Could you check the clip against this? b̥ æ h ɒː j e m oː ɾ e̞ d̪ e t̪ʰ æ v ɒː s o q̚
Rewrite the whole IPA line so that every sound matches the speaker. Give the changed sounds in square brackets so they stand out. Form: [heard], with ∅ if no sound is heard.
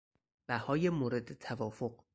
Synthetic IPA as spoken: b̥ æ h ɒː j e m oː ɾ e̞ d̪ e t̪ʰ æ v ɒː [f] o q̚